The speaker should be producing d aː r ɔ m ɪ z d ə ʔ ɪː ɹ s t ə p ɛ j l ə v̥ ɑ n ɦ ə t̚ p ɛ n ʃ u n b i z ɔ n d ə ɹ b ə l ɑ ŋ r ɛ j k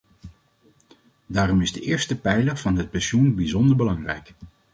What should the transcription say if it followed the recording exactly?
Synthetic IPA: d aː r ɔ m ɪ z d ə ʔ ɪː ɹ s t ə p ɛ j l ə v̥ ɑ n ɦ ə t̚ p ɛ n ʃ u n b i z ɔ n d ə ɹ b ə l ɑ ŋ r ɛ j k

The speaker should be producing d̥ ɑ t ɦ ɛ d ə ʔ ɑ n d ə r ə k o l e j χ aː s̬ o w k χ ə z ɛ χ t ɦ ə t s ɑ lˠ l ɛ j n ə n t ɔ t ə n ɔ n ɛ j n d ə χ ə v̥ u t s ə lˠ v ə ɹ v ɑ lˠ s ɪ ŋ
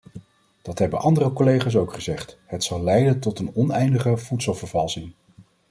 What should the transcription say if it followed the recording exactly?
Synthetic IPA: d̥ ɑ t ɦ ɛ b ə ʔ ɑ n d ə r ə k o l e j χ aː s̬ o w k χ ə z ɛ χ t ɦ ə t s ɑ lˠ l ɛ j d ə n t ɔ t ə n ɔ n ɛ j n d ə χ ə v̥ u t s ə lˠ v ə ɹ v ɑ lˠ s ɪ ŋ

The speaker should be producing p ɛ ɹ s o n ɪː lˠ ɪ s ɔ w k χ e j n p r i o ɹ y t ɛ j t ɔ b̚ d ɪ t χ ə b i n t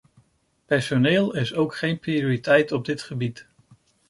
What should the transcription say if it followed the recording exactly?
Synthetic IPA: p ɛ ɹ s o n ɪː lˠ ɪ s o w k χ e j n p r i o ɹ i t ɛ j t ɔ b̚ d ɪ t χ ə b i t

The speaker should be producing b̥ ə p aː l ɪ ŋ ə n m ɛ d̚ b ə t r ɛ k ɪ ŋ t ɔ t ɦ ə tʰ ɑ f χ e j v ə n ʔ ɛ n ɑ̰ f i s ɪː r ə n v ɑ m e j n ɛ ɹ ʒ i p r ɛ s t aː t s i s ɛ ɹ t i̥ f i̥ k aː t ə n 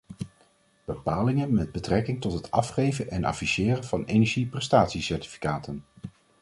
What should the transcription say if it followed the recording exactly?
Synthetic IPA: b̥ ə p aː l ɪ ŋ ə n m ɛ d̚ b ə t r ɛ k ɪ ŋ t ɔ t ɦ ə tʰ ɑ f χ e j v ə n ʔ ɛ n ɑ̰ f i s ɪː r ə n v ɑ n e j n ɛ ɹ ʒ i p r ɛ s t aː t s i s ɛ ɹ t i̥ f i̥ k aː t ə n

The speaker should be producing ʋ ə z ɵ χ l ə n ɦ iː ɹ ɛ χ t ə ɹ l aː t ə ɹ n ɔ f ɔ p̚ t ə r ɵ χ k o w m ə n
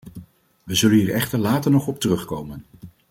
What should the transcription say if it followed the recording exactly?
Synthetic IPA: ʋ ə z ɵ l ə n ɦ iː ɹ ɛ χ t ə ɹ l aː t ə ɹ n ɔ χ ɔ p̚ t ə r ɵ χ k o w m ə n

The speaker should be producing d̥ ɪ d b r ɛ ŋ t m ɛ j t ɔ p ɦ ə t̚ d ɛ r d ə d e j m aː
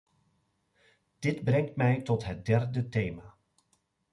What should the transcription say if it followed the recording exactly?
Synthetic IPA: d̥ ɪ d b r ɛ ŋ t m ɛ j t ɔ t ɦ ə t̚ d ɛ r d ə t e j m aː

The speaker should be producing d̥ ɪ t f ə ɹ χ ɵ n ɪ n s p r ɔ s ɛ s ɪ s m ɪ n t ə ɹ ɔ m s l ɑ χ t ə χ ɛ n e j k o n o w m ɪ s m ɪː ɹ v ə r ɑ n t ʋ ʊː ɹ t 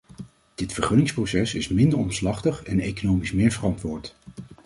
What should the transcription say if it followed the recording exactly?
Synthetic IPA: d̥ ɪ t f ə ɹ χ ɵ n ɪ ŋ s p r o s ɛ s ɪ s m ɪ n d ə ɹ ɔ m s l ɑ χ t ə χ ɛ n e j k o n o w m i s m ɪː ɹ v ə r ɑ n t ʋ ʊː ɹ t

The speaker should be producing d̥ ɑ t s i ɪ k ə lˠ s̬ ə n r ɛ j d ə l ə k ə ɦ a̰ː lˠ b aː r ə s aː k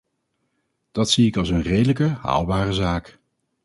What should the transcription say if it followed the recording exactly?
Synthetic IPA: d̥ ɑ t s i ɪ k ɑ lˠ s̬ ə n r e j d ə l ə k ə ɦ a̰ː lˠ b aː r ə z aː k

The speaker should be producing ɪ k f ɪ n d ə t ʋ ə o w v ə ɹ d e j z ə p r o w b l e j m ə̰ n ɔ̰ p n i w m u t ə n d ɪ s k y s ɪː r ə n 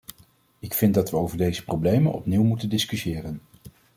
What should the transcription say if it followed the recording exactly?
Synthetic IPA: ɪ k f ɪ n d ɑ t ʋ ə o w v ə ɹ d e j z ə p r o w b l e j m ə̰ n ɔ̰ p n i w m u t ə n d ɪ s k y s ɪː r ə n

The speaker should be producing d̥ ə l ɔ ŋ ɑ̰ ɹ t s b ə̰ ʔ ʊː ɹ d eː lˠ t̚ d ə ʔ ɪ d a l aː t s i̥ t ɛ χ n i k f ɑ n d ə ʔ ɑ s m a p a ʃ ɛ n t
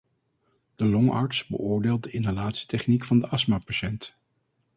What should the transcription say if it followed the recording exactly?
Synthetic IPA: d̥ ə l ɔ ŋ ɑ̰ ɹ t s b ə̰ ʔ ʊː ɹ d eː lˠ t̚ d ə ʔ ɪ n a l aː t s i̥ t ɛ χ n i k f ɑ n d ə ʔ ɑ s m a p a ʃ ɛ n t

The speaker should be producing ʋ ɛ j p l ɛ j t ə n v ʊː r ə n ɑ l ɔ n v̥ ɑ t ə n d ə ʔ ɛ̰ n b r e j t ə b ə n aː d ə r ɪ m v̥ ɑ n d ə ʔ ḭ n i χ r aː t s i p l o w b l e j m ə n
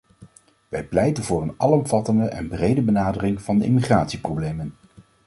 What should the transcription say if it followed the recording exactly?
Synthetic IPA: ʋ ɛ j p l ɛ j t ə n v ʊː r ə n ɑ l ɔ m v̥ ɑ t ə n d ə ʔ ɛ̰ n b r e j d ə b ə n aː d ə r ɪ ŋ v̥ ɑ n d ə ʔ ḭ m i χ r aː t s i p r o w b l e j m ə n

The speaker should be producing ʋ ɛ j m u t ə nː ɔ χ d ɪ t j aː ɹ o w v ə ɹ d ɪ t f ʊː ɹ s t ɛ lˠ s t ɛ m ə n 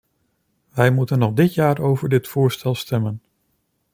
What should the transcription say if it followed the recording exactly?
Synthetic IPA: ʋ ɛ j m u t ə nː ɔ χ d ɪ t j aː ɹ o w v ə ɹ d ɪ t f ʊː ɹ s t ɛ lˠ s t ɛ m ə n

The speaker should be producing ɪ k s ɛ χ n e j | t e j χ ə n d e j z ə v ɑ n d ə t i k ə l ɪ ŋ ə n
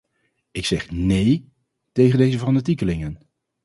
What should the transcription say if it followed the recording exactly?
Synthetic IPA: ɪ k s ɛ χ n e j | t e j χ ə n d e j z ə v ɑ n d ə t i k ə l ɪ ŋ ə n

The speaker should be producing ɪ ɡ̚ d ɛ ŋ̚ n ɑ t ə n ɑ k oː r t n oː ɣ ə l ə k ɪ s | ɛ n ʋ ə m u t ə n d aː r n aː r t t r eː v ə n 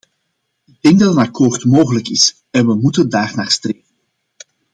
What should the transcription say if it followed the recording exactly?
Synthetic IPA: ɪ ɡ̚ d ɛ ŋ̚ d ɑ t ə n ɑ k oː r t m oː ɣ ə l ə k ɪ s | ɛ n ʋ ə m u t ə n d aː r n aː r s t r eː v ə n

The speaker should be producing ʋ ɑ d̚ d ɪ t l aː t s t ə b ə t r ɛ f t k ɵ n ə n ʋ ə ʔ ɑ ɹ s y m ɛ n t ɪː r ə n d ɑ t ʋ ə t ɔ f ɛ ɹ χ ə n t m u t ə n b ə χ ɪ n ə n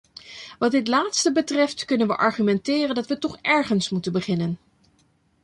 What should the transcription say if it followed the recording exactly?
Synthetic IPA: ʋ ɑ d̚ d ɪ t l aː t s t ə b ə t r ɛ f t k ɵ n ə n ʋ ə ʔ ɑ ɹ χ y m ɛ n t ɪː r ə n d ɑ t ʋ ə t ɔ χ ɛ ɹ χ ə n s m u t ə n b ə χ ɪ n ə n

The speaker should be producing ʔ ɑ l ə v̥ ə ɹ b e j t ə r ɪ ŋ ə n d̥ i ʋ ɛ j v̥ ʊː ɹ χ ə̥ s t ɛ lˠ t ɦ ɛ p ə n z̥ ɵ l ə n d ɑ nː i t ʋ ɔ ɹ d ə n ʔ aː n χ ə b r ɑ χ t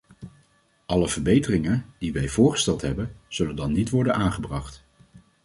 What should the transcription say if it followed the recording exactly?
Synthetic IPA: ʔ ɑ l ə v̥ ə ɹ b e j t ə r ɪ ŋ ə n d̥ i ʋ ɛ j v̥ ʊː ɹ χ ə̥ s t ɛ lˠ t ɦ ɛ b ə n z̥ ɵ l ə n d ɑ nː i t ʋ ɔ ɹ d ə n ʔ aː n χ ə b r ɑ χ t

